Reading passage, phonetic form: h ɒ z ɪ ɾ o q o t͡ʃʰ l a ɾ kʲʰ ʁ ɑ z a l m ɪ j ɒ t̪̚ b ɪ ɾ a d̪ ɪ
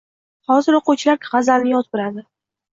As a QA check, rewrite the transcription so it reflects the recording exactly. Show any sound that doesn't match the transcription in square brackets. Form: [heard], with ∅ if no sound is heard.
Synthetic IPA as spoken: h ɒ z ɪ ɾ o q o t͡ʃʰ l a ɾ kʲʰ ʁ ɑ z a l [n] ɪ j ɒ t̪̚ b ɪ ɾ a d̪ ɪ